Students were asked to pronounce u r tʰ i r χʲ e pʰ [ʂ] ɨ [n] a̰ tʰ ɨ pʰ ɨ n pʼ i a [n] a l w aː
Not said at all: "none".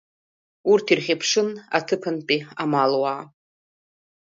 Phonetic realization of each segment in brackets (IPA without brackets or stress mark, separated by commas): ʂ, n, m